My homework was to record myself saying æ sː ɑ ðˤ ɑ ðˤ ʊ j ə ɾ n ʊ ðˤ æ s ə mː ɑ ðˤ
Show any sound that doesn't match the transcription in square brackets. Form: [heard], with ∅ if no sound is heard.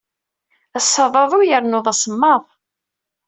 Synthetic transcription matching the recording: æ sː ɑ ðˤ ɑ ðˤ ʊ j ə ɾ n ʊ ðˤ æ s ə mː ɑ ðˤ